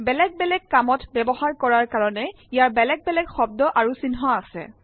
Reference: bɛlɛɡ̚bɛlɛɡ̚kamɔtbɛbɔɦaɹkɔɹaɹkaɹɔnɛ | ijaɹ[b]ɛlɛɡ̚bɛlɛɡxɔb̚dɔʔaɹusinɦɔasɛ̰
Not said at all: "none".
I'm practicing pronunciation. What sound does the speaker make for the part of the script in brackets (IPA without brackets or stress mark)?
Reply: b